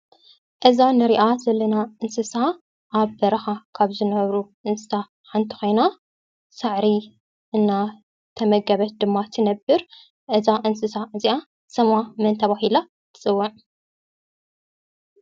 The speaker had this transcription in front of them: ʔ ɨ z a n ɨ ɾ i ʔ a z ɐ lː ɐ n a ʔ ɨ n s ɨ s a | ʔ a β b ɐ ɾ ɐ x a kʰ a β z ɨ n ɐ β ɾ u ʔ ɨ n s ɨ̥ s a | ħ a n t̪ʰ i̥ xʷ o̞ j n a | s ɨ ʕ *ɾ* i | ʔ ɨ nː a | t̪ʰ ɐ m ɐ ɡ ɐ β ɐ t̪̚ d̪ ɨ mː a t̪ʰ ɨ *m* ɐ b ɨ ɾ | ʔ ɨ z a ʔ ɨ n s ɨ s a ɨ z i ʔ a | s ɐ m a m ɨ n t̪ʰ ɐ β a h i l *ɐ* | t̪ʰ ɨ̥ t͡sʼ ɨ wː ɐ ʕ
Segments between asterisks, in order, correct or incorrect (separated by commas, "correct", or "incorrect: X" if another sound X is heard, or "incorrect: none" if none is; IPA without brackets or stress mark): correct, incorrect: n, incorrect: a